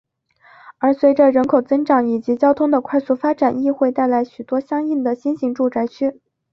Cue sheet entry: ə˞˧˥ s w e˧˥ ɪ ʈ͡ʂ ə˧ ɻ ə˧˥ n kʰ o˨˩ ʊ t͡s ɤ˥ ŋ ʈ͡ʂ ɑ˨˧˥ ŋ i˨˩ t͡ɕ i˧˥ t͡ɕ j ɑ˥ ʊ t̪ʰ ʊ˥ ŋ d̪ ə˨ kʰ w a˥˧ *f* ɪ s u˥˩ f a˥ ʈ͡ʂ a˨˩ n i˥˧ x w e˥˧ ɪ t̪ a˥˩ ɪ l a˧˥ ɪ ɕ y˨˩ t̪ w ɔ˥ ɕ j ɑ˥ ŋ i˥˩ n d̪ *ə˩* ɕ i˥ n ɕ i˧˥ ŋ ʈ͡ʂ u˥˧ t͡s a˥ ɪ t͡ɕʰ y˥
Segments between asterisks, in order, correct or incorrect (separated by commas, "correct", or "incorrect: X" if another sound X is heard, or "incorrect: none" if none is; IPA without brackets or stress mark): incorrect: none, correct